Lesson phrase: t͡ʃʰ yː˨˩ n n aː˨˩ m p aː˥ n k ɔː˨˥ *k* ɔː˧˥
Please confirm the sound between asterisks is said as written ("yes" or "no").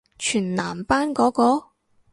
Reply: yes